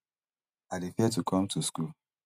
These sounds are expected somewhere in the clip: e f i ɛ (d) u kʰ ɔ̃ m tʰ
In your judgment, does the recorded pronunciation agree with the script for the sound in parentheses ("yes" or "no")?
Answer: no